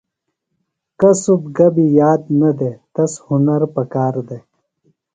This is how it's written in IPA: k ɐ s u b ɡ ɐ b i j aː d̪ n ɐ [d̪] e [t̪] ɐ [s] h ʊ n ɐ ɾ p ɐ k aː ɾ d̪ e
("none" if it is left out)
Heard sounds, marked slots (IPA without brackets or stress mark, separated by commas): d̪, t̪, s